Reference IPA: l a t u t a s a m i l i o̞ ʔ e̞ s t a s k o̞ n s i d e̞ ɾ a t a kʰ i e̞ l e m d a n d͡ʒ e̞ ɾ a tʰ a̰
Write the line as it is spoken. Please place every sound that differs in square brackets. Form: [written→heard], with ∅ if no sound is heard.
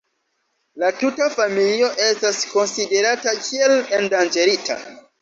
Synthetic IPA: l a t u t a [s→f] a m i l i o̞ ʔ e̞ s t a s k o̞ n s i d e̞ ɾ a t a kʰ i e̞ l e [m→n] d a n d͡ʒ e̞ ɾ [a→i] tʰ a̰